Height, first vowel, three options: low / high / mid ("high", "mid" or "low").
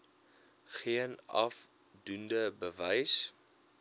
high